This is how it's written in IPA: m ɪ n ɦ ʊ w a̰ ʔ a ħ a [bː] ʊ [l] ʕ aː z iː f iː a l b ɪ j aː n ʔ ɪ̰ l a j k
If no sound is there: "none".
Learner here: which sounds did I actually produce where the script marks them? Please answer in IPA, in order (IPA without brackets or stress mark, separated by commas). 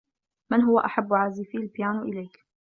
bː, none